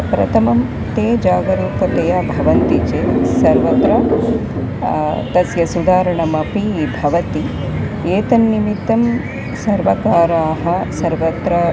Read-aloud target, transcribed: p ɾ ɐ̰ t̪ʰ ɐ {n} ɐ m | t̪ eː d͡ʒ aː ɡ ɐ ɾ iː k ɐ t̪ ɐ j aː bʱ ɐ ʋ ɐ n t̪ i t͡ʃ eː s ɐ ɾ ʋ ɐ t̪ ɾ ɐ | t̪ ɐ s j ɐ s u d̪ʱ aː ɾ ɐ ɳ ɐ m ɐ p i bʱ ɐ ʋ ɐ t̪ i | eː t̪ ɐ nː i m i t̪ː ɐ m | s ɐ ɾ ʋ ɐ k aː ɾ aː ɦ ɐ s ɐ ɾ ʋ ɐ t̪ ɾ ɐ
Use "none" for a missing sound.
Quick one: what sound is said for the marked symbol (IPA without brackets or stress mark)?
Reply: m